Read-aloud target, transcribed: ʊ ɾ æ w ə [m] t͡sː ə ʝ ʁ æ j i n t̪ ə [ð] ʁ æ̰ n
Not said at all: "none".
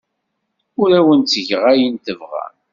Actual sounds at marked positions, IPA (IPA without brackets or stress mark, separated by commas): n, v